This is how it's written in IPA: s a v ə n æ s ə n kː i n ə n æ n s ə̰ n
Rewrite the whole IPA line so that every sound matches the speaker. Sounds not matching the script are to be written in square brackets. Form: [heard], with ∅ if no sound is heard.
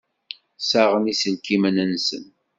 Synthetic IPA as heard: s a [ʁ] ə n [i] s ə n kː i [m] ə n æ n s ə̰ n